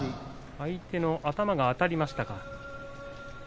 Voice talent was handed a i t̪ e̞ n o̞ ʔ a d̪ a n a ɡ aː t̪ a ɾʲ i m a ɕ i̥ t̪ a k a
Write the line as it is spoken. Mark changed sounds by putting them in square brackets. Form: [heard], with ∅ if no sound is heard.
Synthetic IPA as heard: a i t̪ e̞ n o̞ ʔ a [t̪] a [m] a ɡ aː t̪ a ɾʲ i m a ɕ i̥ t̪ a k a